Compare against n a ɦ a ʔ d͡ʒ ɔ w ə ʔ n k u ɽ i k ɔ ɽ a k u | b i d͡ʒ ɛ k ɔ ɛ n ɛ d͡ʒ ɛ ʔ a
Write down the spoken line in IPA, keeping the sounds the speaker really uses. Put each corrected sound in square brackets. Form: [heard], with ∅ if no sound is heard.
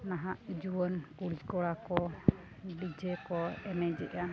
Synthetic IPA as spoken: n a ɦ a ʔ d͡ʒ [u] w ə [∅] n k u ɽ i k ɔ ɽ a k [ɔ] | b i d͡ʒ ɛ k ɔ ɛ n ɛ d͡ʒ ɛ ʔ a